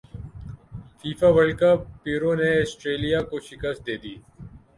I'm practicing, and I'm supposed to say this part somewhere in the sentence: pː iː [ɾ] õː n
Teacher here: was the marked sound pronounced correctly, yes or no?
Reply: yes